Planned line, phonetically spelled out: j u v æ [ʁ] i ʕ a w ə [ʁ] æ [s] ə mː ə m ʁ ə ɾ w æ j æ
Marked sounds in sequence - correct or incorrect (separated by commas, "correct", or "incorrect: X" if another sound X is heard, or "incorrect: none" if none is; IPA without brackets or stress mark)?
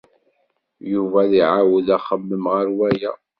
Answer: incorrect: ð, incorrect: ð, incorrect: χ